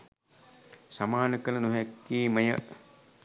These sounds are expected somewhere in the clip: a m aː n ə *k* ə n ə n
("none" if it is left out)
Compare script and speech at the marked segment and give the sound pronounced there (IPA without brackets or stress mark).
k